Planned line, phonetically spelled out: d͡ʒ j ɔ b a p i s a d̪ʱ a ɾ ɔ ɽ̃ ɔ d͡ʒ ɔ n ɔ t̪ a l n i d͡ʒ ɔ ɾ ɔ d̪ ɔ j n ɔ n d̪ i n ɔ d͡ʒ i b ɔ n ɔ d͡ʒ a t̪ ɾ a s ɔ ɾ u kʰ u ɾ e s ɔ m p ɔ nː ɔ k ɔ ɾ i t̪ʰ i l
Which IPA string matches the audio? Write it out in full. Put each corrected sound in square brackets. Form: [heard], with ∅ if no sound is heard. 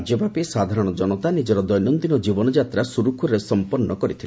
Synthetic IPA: d͡ʒ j ɔ b a p i s a d̪ʱ a ɾ ɔ ɽ̃ ɔ d͡ʒ ɔ n ɔ t̪ a [∅] n i d͡ʒ ɔ ɾ ɔ d̪ ɔ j n ɔ n d̪ i n ɔ d͡ʒ i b ɔ n ɔ d͡ʒ a t̪ ɾ a s [u] ɾ u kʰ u ɾ e s ɔ m p ɔ nː ɔ k ɔ ɾ i t̪ʰ i l